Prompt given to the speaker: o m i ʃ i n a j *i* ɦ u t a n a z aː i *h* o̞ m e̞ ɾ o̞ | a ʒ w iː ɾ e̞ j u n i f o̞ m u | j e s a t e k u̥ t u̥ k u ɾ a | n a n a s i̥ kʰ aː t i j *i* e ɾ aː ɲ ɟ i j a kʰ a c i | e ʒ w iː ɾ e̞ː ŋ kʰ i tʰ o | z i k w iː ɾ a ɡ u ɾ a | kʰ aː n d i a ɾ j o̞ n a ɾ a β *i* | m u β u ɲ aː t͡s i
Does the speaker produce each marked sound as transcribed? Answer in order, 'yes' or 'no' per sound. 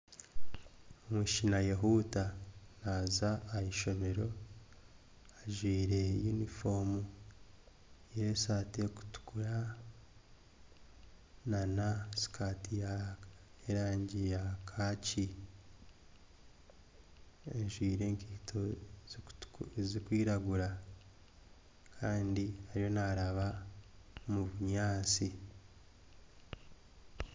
no, no, no, no

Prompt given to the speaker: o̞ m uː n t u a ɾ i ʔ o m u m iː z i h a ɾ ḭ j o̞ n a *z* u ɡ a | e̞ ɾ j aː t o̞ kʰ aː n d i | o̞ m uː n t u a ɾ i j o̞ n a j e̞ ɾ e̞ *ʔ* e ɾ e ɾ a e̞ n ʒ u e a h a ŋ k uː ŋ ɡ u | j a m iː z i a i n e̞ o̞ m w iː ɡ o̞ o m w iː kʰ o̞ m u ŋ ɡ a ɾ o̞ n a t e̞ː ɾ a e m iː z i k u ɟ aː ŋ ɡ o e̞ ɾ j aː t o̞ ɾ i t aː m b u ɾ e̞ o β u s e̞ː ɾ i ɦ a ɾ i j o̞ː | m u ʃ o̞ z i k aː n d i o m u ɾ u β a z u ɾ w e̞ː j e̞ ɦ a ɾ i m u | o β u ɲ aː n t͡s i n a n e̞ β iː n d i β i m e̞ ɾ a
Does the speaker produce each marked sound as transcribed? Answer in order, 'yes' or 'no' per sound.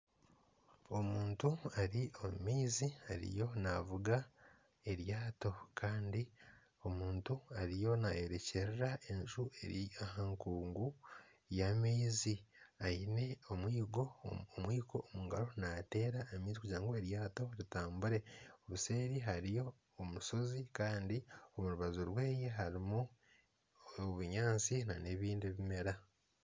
no, no

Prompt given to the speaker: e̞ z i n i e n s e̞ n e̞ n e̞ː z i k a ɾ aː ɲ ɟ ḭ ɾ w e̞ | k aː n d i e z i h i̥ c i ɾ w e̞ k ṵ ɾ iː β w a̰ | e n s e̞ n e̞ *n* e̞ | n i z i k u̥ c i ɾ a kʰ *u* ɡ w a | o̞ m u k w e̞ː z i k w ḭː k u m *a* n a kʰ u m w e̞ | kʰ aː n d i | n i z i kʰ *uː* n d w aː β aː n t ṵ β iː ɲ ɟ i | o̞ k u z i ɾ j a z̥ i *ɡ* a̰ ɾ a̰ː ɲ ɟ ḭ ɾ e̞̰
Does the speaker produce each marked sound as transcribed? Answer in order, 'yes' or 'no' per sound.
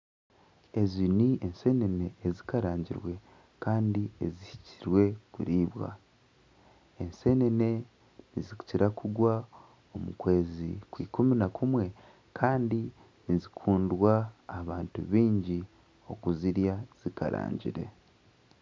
yes, yes, no, yes, no

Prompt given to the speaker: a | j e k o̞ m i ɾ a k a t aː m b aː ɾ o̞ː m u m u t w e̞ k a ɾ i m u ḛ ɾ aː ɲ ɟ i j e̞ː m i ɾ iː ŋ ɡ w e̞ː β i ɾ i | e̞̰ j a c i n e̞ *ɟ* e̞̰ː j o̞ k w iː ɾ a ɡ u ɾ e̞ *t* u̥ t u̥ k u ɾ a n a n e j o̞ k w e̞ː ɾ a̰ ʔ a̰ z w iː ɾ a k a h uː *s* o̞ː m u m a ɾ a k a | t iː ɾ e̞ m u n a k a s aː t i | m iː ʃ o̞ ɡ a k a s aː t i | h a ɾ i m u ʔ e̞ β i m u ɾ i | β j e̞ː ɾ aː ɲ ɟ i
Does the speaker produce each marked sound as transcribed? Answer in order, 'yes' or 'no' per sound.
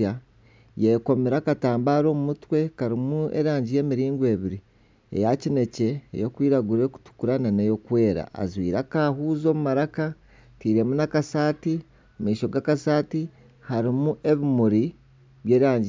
no, no, no

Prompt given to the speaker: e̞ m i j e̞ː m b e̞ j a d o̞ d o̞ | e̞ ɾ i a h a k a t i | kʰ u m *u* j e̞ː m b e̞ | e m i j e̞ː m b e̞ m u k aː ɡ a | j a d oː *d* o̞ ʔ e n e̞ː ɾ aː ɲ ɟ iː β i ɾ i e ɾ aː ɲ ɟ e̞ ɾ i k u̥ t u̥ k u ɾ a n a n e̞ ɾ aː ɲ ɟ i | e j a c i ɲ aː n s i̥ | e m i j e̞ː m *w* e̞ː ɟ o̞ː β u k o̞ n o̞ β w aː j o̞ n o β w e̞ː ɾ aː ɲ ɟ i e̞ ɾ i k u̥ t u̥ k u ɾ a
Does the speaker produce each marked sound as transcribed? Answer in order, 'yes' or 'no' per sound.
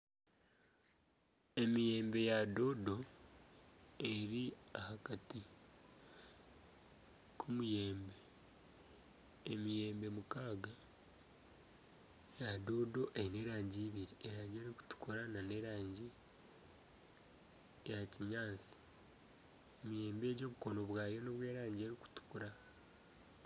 yes, yes, no

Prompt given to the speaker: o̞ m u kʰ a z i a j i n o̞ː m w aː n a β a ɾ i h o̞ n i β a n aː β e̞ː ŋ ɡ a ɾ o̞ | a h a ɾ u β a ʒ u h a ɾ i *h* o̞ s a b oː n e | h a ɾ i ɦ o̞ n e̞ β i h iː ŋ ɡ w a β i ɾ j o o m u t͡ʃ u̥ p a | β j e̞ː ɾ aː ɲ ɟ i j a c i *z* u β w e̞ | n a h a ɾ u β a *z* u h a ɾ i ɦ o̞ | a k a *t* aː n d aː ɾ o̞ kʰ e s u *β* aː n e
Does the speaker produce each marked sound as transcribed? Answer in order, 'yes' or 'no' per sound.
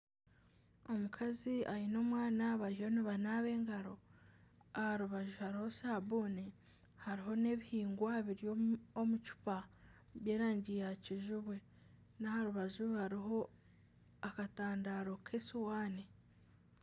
yes, no, no, yes, no

